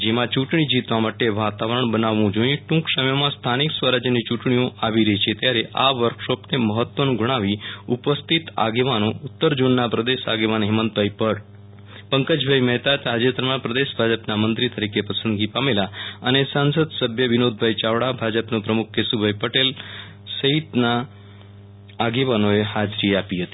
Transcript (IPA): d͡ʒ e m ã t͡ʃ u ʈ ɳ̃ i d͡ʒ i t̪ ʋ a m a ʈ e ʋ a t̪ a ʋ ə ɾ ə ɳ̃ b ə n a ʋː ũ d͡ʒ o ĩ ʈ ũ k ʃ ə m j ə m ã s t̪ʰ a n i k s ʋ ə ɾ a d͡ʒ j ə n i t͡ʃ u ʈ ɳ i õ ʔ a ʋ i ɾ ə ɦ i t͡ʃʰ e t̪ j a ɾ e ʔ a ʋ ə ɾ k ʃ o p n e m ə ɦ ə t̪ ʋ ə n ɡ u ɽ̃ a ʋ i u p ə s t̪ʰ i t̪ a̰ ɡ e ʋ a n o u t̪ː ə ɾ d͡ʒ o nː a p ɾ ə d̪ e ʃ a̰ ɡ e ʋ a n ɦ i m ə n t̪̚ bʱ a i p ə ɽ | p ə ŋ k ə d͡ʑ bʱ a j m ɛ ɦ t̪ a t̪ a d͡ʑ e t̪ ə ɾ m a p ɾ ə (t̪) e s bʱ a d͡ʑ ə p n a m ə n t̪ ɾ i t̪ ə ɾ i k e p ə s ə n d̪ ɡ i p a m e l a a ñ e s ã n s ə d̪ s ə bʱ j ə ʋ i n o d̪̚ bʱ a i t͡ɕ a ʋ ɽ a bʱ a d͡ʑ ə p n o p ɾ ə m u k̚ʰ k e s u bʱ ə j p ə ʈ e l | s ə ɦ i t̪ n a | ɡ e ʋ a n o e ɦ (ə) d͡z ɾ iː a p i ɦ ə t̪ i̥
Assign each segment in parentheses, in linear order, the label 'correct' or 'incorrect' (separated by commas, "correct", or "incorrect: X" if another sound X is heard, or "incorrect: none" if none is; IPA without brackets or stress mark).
incorrect: d̪, incorrect: a